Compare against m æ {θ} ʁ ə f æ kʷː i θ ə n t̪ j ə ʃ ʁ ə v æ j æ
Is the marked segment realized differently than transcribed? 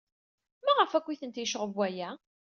yes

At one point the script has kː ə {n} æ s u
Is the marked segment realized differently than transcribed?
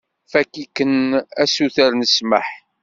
no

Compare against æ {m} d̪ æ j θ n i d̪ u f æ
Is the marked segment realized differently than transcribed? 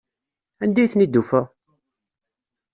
yes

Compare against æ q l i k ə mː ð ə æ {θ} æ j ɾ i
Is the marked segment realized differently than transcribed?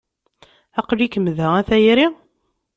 no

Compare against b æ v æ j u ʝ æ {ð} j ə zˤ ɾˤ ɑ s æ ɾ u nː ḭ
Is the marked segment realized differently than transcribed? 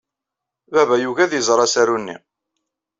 no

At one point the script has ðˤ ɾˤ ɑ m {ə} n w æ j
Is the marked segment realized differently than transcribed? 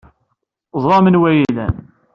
no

